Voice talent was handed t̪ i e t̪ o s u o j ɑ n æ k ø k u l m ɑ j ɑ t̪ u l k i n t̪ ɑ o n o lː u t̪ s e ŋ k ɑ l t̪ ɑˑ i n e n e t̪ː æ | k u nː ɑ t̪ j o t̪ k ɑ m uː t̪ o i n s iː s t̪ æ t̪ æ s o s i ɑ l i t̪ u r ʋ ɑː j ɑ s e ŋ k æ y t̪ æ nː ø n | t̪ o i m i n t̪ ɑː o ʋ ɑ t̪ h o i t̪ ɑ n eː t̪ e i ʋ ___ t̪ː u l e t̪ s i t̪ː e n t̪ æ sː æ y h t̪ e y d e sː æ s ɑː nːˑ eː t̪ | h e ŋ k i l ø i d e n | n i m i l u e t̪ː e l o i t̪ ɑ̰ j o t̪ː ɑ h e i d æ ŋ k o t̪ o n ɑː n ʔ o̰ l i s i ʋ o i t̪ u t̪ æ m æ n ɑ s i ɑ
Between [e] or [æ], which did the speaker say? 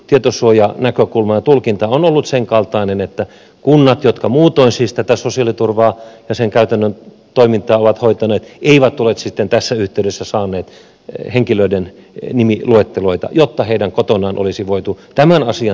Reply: æ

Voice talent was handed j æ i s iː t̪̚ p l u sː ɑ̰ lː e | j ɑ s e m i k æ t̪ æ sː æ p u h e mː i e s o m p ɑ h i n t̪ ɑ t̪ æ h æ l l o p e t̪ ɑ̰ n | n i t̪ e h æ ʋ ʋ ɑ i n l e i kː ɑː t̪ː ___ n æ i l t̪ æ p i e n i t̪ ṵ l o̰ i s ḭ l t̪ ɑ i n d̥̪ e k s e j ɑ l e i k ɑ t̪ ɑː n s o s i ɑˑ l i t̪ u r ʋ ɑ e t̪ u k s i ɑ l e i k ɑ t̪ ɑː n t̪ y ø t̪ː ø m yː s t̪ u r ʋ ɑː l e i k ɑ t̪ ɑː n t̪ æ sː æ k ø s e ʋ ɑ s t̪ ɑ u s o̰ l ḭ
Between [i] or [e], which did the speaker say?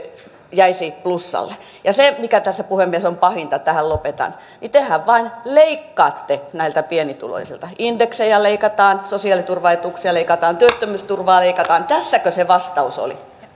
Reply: e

